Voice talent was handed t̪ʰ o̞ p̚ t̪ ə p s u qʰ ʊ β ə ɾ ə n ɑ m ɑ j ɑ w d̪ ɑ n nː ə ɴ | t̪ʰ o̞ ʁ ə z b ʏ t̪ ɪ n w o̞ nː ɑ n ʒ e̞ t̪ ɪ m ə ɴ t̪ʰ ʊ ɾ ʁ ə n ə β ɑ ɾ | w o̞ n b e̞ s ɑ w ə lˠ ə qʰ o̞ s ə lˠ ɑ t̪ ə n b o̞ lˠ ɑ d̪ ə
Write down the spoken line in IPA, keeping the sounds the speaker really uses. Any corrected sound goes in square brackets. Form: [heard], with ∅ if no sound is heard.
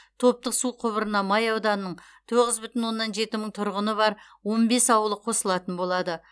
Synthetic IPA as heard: t̪ʰ o̞ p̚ t̪ ə [q] s u qʰ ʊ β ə ɾ ə n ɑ m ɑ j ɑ w d̪ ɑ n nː ə ɴ | t̪ʰ o̞ ʁ ə z b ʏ t̪ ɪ n w o̞ nː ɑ n ʒ e̞ t̪ ɪ m ə ɴ t̪ʰ ʊ ɾ ʁ ə n ə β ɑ ɾ | w o̞ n b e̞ s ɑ w ə lˠ ə qʰ o̞ s ə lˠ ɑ t̪ ə n b o̞ lˠ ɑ d̪ ə